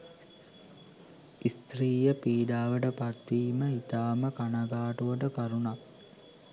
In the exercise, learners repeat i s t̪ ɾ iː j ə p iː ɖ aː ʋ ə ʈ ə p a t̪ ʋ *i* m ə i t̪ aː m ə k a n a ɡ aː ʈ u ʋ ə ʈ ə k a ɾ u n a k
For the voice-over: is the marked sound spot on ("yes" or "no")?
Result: no